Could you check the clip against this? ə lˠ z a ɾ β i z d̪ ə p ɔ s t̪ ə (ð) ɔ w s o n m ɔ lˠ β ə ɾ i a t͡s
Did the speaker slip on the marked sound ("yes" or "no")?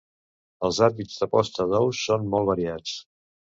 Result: no